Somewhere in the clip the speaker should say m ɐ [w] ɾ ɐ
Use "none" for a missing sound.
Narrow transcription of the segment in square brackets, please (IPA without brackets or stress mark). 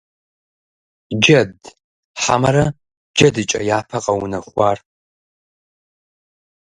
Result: none